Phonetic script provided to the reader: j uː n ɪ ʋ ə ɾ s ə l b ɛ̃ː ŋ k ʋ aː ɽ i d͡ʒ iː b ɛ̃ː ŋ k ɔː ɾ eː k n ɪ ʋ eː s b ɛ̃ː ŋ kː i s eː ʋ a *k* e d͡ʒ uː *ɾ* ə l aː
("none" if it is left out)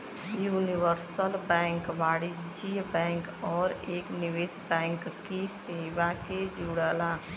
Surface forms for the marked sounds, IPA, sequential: k, ɽ

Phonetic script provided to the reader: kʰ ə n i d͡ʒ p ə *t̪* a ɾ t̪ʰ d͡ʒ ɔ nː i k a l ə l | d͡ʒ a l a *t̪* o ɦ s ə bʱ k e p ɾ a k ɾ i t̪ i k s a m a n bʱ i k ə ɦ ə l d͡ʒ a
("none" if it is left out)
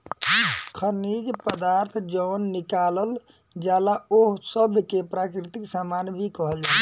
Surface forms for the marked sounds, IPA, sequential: d̪, none

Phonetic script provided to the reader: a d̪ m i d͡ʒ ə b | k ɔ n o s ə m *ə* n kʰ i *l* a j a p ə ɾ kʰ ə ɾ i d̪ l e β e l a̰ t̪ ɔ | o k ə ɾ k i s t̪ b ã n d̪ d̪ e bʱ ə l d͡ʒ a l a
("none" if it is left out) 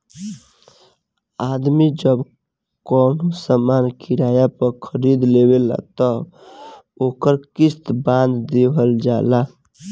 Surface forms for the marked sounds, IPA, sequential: a, ɾ

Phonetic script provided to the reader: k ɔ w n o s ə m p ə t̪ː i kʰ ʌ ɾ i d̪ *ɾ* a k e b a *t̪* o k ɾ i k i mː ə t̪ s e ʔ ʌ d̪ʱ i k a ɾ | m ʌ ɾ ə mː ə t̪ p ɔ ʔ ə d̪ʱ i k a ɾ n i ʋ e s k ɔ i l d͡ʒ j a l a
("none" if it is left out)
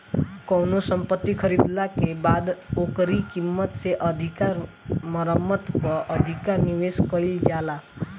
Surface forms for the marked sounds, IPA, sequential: l, d̪

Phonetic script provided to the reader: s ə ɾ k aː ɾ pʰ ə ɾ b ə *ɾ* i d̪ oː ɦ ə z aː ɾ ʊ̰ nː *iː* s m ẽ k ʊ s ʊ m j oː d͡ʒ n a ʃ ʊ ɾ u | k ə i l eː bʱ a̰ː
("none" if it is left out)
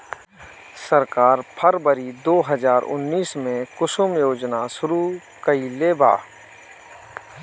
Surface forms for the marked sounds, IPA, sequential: ɾ, iː

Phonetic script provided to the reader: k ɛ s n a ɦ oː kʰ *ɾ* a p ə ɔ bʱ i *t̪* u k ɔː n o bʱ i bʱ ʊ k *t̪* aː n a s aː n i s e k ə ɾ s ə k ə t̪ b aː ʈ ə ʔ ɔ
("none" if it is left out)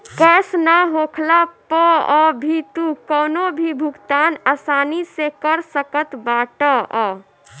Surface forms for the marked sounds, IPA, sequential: l, t̪, t̪

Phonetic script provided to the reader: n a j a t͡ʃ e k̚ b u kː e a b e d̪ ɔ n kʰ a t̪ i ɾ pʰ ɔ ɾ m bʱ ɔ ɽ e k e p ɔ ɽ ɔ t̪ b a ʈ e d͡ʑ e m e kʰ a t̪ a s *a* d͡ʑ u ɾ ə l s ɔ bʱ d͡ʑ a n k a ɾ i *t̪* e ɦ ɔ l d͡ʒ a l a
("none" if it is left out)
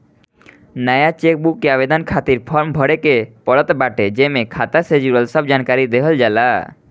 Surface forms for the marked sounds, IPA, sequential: e, d̪

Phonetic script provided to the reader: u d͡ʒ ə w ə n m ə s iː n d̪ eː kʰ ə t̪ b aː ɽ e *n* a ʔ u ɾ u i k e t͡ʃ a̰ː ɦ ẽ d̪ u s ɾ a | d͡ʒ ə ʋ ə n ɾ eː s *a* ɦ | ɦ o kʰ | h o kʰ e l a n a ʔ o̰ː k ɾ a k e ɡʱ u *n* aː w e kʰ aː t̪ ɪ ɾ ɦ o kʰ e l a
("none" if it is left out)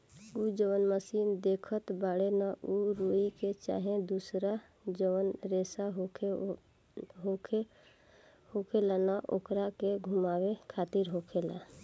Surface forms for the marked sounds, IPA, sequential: n, a, m

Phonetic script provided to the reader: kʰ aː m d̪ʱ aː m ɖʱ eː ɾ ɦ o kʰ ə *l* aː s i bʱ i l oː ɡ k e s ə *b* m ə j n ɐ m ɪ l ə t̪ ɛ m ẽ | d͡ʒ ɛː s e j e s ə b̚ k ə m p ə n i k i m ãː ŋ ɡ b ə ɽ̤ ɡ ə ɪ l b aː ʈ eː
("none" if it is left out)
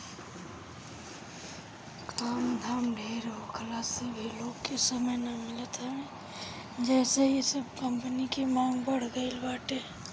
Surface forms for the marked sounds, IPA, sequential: l, none

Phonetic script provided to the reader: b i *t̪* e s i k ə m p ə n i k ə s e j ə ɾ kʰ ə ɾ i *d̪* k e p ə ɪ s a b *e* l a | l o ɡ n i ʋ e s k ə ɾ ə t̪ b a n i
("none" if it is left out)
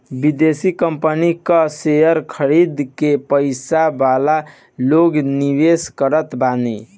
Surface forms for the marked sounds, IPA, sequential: d̪, d̪, a

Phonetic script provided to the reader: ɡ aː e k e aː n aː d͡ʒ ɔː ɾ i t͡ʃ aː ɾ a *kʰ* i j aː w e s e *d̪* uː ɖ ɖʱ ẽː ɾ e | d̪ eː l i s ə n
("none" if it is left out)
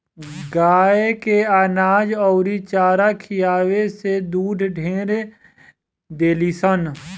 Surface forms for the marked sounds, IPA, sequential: kʰ, d̪

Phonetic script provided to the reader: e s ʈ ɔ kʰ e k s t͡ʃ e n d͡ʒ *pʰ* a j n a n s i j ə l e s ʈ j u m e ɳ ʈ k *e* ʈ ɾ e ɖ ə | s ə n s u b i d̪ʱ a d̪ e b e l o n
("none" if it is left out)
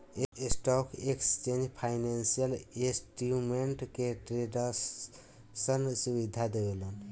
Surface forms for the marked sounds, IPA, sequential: pʰ, e

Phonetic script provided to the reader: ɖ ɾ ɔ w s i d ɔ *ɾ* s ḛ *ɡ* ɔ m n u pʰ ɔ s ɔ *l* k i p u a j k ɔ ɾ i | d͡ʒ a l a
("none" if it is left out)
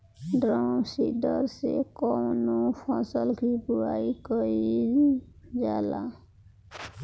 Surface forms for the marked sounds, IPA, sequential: ɾ, k, l

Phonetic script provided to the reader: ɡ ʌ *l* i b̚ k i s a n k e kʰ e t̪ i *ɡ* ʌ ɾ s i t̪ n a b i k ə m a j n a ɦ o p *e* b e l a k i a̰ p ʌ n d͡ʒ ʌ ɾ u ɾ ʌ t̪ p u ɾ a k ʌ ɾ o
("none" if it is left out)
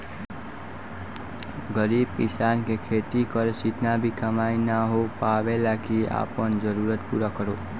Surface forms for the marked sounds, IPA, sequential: ɾ, k, a

